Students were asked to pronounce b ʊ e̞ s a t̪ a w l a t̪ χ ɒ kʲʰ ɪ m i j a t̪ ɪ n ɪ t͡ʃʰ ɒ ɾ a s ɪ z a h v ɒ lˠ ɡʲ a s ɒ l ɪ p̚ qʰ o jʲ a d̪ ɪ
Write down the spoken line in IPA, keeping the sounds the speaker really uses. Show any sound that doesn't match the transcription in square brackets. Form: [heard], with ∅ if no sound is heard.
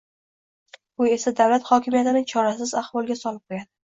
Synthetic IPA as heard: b ʊ e̞ s a [d̪] a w l a t̪ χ ɒ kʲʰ ɪ m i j a t̪ ɪ n ɪ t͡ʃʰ ɒ ɾ a s ɪ z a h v ɒ lˠ ɡʲ a s ɒ l ɪ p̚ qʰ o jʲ a d̪ ɪ

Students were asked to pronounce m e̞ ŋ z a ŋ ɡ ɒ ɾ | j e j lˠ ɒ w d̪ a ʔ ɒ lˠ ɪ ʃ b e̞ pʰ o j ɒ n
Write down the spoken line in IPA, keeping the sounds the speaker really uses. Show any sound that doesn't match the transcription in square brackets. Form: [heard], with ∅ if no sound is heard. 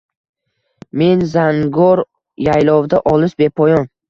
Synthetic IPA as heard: m e̞ [n] z a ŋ ɡ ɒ ɾ | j [a] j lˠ ɒ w d̪ a ʔ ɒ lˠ ɪ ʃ b e̞ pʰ [ɒ] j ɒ n

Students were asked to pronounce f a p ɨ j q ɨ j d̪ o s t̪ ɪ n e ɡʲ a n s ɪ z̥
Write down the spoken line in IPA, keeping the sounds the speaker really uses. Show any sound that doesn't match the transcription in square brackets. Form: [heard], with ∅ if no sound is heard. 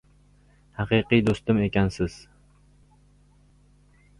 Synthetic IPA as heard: [h] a [q] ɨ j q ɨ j d̪ o s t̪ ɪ [m] e [kʲ] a n s ɪ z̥

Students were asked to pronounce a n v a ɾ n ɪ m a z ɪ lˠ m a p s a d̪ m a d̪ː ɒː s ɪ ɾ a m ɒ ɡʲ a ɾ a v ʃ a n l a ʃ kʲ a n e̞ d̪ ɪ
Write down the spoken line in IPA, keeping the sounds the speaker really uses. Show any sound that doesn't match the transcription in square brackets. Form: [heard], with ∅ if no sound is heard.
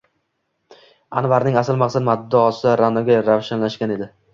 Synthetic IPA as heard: a n v a ɾ n ɪ [ŋ] a [s] ɪ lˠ m a [q] s a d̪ m a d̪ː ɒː s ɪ ɾ a [n] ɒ ɡʲ a ɾ a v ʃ a n l a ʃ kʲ a n e̞ d̪ ɪ

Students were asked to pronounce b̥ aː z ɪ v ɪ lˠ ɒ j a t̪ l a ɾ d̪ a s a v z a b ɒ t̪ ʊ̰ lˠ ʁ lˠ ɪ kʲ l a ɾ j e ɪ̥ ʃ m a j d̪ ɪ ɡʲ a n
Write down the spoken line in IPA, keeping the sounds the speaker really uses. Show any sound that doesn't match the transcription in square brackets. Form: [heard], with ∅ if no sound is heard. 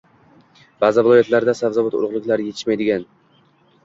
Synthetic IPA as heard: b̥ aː z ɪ v ɪ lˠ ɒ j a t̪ l a ɾ d̪ a s a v z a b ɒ t̪ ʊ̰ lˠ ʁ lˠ ɪ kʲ l a ɾ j e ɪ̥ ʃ m a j d̪ ɪ ɡʲ a n

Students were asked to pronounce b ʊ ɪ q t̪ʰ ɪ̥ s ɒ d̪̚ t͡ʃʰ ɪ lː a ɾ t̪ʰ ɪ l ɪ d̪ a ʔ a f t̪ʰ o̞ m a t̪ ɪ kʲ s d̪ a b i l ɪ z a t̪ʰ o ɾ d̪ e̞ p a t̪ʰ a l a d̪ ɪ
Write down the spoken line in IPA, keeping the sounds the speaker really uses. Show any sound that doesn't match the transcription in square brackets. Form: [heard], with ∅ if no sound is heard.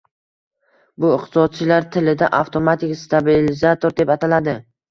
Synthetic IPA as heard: b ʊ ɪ q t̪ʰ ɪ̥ s ɒ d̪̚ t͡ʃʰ ɪ [l] a ɾ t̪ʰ ɪ l ɪ d̪ a ʔ a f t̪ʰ o̞ m a t̪ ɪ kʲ s [t̪] a b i l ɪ z a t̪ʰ o ɾ d̪ e̞ p a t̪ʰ a l a d̪ ɪ

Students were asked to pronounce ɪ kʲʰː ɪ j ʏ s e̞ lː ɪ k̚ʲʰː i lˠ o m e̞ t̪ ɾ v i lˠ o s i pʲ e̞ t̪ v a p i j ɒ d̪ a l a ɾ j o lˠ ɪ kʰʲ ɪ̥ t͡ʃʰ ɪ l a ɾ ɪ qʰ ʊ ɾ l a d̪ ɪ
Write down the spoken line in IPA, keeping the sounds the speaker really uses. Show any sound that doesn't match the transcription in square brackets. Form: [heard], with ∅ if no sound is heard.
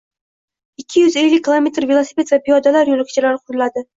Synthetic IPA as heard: ɪ kʲʰː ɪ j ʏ [z] e̞ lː ɪ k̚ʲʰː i lˠ o m e̞ t̪ ɾ v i lˠ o s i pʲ e̞ t̪ v a p i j ɒ d̪ a l a ɾ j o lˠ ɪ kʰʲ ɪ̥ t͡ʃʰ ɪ l a ɾ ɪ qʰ ʊ ɾ l a d̪ ɪ

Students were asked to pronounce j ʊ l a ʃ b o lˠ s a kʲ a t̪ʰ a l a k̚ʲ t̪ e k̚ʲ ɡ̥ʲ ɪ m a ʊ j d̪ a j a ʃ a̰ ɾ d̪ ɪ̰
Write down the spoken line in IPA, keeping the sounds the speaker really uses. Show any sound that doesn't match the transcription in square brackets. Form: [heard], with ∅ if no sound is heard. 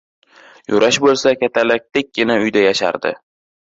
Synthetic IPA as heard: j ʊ [ɾ] a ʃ b o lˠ s a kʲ a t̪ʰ a l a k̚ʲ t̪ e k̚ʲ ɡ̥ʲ ɪ [n] a ʊ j d̪ a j a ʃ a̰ ɾ d̪ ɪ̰

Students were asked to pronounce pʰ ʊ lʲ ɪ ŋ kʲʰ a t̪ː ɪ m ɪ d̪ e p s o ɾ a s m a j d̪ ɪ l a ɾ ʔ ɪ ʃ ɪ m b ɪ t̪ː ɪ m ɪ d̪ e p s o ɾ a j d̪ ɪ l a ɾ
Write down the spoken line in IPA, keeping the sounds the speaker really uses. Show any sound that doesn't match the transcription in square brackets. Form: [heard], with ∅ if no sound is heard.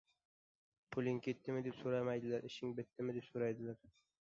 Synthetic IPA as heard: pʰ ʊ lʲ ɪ ŋ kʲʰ [e] t̪ː ɪ m ɪ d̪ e p s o ɾ a [∅] m a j d̪ ɪ l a ɾ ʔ ɪ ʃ ɪ [ŋ] b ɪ t̪ː ɪ m ɪ d̪ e p s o ɾ a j d̪ ɪ l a ɾ

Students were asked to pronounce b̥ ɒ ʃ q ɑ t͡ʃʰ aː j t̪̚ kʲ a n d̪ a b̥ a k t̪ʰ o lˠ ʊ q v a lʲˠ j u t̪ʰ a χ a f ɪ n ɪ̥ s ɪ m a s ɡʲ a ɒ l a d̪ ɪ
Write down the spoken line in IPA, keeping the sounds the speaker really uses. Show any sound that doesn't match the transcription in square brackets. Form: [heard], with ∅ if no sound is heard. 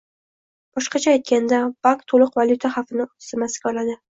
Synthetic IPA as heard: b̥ ɒ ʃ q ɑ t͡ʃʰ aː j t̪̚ kʲ a n d̪ a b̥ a k t̪ʰ o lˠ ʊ q v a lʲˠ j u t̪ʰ a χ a f ɪ n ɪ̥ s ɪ m a s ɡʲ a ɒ l a d̪ ɪ

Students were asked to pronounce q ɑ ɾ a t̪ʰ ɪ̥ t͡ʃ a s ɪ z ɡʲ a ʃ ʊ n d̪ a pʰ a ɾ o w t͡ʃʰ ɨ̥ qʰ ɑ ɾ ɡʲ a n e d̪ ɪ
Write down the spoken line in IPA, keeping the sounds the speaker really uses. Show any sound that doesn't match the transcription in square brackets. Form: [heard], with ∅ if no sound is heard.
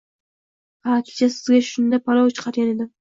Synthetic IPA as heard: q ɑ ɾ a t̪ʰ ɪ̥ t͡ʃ a s ɪ z ɡʲ a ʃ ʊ n d̪ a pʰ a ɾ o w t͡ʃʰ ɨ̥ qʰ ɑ ɾ ɡʲ a n e d̪ ɪ

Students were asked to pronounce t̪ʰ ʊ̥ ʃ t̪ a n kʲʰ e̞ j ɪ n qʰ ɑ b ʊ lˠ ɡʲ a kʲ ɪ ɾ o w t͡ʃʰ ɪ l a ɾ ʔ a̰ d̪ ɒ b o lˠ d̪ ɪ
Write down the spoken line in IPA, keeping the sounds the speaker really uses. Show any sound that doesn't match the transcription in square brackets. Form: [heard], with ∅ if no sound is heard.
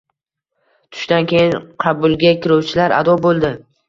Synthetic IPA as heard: t̪ʰ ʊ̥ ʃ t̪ a n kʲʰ e̞ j ɪ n qʰ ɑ b ʊ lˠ ɡʲ a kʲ ɪ ɾ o w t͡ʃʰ ɪ l a ɾ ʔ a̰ d̪ ɒ b o lˠ d̪ ɪ

